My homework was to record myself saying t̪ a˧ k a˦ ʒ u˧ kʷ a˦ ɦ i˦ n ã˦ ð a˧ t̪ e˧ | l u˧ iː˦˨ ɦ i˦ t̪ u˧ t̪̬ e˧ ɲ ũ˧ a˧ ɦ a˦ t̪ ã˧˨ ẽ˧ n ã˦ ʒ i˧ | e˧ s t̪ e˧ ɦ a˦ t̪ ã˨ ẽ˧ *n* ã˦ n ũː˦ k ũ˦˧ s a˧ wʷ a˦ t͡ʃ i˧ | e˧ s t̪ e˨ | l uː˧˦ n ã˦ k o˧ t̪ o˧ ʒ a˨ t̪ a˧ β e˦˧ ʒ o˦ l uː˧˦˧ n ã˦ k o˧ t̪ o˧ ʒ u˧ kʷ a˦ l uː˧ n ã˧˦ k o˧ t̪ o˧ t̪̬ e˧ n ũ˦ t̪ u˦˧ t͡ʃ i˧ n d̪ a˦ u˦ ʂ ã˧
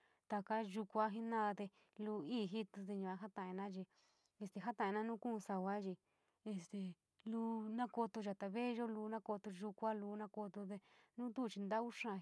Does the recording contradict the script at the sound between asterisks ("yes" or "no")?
no